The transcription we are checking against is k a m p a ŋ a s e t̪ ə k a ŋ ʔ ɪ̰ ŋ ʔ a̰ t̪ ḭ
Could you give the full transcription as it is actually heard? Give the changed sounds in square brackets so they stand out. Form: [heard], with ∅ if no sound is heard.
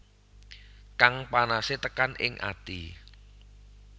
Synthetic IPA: k a [ŋ] p a [n] a s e t̪ ə k a [n] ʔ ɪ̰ ŋ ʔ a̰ t̪ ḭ